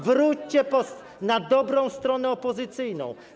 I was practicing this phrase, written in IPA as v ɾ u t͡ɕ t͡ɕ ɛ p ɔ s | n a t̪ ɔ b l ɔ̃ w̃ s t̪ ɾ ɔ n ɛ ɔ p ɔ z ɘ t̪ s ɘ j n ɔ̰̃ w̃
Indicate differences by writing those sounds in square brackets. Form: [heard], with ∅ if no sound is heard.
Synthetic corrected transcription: v ɾ u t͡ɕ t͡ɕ ɛ p ɔ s | n a [d̪] ɔ b [ɾ] ɔ̃ w̃ s t̪ ɾ ɔ n ɛ ɔ p ɔ z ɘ t̪ s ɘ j n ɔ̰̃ w̃